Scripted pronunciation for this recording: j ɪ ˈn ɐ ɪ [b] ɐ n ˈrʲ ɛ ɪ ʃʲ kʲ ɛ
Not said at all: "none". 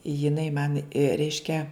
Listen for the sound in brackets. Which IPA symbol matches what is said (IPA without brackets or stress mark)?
m